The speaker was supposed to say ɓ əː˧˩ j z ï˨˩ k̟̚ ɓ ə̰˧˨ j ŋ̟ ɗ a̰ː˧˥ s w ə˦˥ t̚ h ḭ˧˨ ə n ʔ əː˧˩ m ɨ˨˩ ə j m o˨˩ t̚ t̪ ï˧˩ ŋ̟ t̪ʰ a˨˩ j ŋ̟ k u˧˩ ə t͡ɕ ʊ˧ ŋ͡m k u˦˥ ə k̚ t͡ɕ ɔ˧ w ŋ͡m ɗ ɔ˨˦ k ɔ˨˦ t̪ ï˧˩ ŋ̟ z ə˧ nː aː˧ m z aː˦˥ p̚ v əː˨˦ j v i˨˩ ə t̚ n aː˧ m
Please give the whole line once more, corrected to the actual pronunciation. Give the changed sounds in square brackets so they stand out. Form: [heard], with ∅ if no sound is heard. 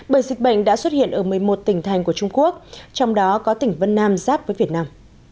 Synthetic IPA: ɓ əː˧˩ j z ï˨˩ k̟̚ ɓ ə̰˧˨ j ŋ̟ ɗ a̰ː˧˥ s w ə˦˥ t̚ h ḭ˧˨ ə n ʔ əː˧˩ m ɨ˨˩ ə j m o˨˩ t̚ t̪ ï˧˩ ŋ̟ t̪ʰ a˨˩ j ŋ̟ k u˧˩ ə t͡ɕ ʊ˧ ŋ͡m k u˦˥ ə k̚ t͡ɕ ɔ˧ w ŋ͡m ɗ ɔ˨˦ k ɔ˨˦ t̪ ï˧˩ ŋ̟ [v] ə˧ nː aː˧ m z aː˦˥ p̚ v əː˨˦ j v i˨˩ ə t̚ n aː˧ m